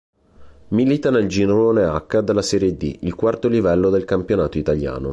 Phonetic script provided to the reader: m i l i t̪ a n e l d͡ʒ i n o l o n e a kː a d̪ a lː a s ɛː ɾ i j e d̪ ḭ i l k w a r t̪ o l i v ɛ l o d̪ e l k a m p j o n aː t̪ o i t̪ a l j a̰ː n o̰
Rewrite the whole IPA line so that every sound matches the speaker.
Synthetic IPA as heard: m i l i t̪ a n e l d͡ʒ i n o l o n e a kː a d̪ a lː a s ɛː ɾ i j e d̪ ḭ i l k w a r t̪ o l i v ɛ lː o d̪ e l k a m p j o n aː t̪ o i t̪ a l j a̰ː n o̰